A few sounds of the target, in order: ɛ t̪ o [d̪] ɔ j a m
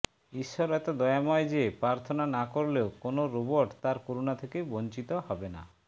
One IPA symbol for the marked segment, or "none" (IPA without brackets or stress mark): d̪